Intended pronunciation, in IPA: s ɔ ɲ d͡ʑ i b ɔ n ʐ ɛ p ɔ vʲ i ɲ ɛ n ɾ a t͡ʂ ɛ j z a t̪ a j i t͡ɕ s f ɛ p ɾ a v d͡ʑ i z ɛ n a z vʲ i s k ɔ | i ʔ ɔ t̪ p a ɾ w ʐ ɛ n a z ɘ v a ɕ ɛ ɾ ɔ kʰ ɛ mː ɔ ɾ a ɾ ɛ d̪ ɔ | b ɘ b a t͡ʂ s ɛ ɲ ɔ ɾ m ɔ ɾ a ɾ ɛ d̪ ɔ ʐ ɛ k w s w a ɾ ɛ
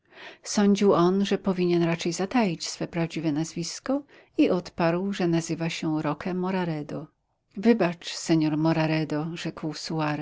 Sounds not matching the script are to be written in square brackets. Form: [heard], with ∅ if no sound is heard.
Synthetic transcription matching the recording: s ɔ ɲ d͡ʑ i [w] ɔ n ʐ ɛ p ɔ vʲ i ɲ ɛ n ɾ a t͡ʂ ɛ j z a t̪ a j i t͡ɕ s f ɛ p ɾ a v d͡ʑ i [v] ɛ n a z vʲ i s k ɔ | i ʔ ɔ t̪ p a ɾ w ʐ ɛ n a z ɘ v a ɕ ɛ ɾ ɔ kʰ ɛ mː ɔ ɾ a ɾ ɛ d̪ ɔ | [v] ɘ b a t͡ʂ s ɛ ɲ ɔ ɾ m ɔ ɾ a ɾ ɛ d̪ ɔ ʐ ɛ k w s [u] a ɾ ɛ